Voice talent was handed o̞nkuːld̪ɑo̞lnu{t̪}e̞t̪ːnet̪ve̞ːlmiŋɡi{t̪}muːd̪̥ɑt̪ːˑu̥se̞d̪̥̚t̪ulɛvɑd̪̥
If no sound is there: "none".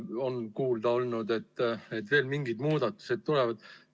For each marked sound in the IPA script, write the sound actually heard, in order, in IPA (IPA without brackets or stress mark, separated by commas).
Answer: d̪, d̪